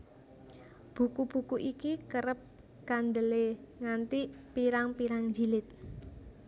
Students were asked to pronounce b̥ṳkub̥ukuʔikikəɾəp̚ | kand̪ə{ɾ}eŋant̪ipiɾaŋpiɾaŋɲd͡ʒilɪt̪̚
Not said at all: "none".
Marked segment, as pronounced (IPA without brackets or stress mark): l